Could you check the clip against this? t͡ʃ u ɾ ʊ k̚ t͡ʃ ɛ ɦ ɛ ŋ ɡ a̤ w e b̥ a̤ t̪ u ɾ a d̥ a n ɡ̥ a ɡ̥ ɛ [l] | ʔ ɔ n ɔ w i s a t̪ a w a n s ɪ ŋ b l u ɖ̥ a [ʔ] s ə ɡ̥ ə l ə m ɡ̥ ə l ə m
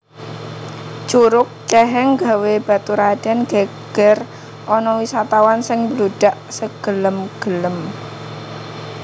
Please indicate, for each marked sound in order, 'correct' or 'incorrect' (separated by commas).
incorrect, correct